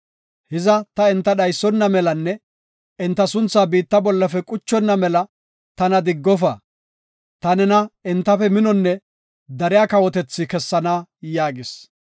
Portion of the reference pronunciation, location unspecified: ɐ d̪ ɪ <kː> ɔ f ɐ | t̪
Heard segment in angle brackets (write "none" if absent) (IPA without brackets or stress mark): ɡː